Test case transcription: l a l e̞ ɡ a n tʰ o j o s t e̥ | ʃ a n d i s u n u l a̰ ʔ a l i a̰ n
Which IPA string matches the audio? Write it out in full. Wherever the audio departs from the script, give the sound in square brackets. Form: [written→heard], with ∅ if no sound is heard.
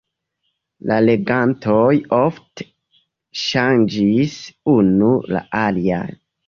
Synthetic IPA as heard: l a l e̞ ɡ a n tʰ o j o [s→f] t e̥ | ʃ a n [d→d͡ʒ] i s u n u l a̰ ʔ a l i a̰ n